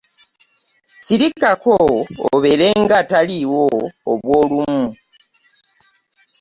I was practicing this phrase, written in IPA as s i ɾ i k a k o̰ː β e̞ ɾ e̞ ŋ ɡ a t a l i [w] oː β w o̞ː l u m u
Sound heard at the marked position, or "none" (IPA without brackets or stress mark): w